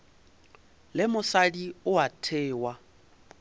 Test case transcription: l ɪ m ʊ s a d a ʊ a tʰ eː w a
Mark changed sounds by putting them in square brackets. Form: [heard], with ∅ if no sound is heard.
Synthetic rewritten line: l ɪ m ʊ s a d [i] ʊ a tʰ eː w a